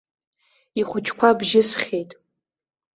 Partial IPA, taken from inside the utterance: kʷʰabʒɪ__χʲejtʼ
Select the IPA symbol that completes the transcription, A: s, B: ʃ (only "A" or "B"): A